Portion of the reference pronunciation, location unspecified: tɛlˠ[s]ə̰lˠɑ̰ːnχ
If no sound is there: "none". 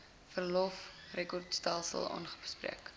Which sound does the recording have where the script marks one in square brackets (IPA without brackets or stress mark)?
s